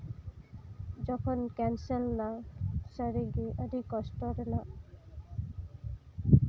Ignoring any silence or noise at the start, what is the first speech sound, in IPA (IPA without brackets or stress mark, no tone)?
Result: d͡ʑ